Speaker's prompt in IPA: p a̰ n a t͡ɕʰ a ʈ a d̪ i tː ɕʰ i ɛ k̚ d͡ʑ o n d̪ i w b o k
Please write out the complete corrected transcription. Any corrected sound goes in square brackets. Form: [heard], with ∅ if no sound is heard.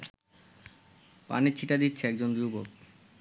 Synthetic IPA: p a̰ n [e] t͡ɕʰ [i] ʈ a d̪ i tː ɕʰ [e] ɛ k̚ d͡ʑ o n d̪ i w b o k

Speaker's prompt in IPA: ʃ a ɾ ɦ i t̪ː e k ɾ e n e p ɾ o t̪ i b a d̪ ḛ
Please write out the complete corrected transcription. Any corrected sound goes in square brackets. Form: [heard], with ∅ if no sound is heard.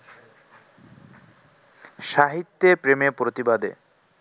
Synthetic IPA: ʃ a [∅] ɦ i t̪ː e [p] ɾ e [m] e p ɾ o t̪ i b a d̪ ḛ

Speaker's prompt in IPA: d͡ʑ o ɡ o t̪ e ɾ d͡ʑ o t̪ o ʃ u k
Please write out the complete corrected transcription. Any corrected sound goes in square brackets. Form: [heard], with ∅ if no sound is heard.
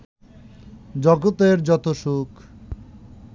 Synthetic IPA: d͡ʑ [ɔ] ɡ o t̪ e ɾ d͡ʑ [ɔ] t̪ o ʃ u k

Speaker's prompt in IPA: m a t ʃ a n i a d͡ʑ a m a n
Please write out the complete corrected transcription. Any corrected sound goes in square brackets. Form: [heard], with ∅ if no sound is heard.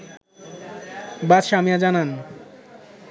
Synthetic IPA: [b] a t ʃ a [m] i a d͡ʑ a [n] a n

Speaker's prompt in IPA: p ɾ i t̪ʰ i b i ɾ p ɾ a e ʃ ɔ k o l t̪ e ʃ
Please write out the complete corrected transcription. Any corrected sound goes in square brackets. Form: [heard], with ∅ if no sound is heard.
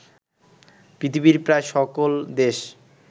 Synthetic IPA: p ɾ i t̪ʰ i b i ɾ p ɾ a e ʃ ɔ k o l [d̪] e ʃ

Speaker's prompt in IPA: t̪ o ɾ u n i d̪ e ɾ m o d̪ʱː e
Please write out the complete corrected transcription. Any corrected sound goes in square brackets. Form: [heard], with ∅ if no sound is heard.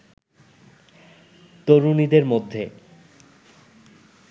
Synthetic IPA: t̪ o ɾ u n i d̪ e ɾ m o d̪ʱː e

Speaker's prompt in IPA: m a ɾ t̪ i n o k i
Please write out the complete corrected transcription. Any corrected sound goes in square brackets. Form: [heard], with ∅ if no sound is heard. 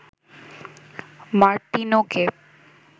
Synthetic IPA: m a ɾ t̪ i n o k [e]

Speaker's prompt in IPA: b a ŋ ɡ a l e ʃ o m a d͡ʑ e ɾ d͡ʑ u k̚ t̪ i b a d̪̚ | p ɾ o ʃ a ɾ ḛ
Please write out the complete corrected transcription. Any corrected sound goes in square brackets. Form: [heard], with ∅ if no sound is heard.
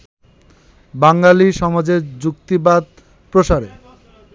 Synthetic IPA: b a ŋ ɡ a l [i] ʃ [ɔ] m a d͡ʑ e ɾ d͡ʑ u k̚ t̪ i b a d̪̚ | p ɾ o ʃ a ɾ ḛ

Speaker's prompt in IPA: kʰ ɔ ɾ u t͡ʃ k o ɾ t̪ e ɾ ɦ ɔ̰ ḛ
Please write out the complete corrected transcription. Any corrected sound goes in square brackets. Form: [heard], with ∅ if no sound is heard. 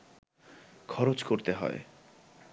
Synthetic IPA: kʰ ɔ ɾ [o] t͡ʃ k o ɾ t̪ e [∅] ɦ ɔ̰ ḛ

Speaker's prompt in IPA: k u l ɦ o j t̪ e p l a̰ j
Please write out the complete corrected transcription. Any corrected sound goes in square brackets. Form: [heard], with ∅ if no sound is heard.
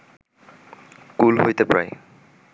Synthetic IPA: k u l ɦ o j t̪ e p [ɹ] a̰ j

